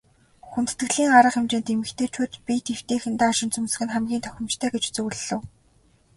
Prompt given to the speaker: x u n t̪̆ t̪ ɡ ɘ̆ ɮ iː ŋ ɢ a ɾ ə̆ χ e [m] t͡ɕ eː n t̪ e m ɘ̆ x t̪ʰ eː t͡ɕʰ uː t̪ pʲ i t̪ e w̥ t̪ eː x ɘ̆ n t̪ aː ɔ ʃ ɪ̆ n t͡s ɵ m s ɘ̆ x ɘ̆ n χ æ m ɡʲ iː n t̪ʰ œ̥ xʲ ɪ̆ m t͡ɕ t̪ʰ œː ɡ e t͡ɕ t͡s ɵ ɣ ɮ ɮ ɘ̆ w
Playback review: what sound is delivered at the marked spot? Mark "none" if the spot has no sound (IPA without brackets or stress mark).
m